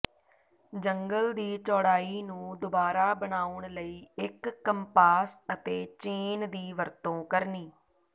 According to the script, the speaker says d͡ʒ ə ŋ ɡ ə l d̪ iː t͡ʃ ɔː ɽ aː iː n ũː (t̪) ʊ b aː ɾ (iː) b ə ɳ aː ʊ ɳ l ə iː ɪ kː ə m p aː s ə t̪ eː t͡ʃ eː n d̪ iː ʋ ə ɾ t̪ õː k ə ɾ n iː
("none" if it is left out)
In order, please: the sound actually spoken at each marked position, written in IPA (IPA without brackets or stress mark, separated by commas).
d̪, aː